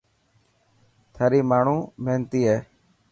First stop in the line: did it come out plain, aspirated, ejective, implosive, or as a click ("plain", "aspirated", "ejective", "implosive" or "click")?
aspirated